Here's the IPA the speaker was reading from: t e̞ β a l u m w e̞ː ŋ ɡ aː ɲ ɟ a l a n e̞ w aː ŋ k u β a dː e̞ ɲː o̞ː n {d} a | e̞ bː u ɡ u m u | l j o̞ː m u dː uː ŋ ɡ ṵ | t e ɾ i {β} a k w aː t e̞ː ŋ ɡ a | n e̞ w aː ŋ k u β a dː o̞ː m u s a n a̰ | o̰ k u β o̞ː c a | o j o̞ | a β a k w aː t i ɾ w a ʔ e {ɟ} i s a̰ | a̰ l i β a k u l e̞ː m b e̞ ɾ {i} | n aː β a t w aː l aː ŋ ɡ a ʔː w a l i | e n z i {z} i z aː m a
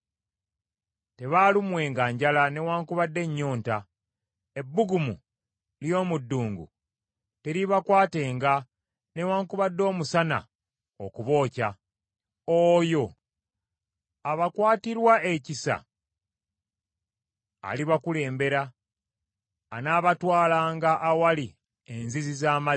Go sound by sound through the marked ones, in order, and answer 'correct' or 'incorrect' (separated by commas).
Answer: incorrect, correct, incorrect, incorrect, correct